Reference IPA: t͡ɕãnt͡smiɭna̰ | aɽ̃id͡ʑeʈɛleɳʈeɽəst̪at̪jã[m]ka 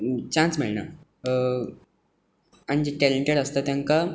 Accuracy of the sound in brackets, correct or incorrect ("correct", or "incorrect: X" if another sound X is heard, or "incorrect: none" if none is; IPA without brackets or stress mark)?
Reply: incorrect: ŋ